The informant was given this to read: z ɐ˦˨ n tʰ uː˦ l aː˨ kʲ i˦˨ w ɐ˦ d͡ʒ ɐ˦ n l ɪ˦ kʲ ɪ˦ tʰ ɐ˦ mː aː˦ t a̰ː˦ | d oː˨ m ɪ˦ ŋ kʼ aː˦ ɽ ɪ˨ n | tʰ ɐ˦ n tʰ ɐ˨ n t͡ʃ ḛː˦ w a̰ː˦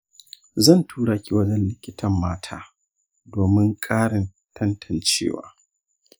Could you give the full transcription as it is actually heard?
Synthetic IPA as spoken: z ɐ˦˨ n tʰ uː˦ ɽ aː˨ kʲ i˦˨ w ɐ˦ d͡ʒ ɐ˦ n l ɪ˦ kʲ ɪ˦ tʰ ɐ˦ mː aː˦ tʰ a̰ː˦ | d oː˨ m ɪ˦ ŋ kʼ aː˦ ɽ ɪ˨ n | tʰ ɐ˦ n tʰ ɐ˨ n t͡ʃ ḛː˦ w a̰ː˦